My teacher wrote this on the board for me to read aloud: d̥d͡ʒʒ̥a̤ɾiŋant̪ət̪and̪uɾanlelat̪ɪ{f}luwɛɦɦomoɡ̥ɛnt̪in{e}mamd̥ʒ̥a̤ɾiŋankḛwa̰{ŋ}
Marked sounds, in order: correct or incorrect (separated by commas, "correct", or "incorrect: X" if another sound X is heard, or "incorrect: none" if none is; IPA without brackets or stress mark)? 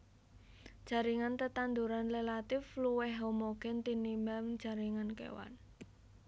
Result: correct, incorrect: i, incorrect: n